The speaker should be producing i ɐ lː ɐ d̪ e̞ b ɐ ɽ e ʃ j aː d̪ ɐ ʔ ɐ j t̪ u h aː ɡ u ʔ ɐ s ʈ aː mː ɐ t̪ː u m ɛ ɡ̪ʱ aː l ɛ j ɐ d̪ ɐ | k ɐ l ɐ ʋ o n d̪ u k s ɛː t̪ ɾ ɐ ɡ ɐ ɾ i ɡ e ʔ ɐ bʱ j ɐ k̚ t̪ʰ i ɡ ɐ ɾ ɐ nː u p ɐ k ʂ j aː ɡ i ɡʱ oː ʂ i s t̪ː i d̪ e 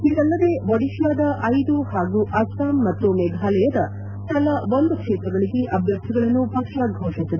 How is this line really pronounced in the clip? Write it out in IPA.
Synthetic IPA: i ɐ lː ɐ d̪ e̞ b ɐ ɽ i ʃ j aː d̪ ɐ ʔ ɐ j d̪ u h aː ɡ u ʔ ɐ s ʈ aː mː ɐ t̪ː u m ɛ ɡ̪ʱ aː l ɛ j ɐ d̪ ɐ | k ɐ l ɐ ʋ o n d̪ u k ʂ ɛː t̪ ɾ ɐ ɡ ɐ ɭ i ɡ e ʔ ɐ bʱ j ɐ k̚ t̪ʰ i ɡ ɐ ɭ ɐ nː u p ɐ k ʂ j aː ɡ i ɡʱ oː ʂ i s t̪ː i d̪ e